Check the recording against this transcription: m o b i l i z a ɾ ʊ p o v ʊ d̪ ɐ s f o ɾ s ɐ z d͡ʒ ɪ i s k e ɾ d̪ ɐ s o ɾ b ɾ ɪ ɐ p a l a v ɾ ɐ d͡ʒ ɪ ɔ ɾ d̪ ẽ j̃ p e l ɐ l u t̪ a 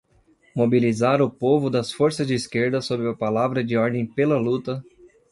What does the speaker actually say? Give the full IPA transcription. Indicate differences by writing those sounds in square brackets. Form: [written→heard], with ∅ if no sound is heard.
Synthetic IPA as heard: m o b i l i z a ɾ ʊ p o v ʊ d̪ ɐ s f o ɾ s ɐ z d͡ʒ ɪ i s k e ɾ d̪ ɐ s o [ɾ→∅] b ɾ ɪ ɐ p a l a v ɾ ɐ d͡ʒ ɪ ɔ ɾ d̪ ẽ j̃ p e l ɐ l u t̪ [a→ɐ]